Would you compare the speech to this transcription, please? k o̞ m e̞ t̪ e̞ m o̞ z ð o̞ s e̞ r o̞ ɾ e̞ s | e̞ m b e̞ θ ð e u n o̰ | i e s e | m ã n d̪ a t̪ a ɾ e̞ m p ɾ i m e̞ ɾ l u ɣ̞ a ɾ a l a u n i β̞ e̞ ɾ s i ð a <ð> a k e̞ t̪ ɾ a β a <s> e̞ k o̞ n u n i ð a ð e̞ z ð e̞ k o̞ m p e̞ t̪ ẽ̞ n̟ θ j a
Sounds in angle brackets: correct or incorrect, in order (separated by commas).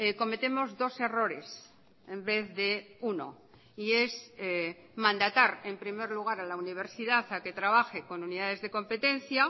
incorrect, incorrect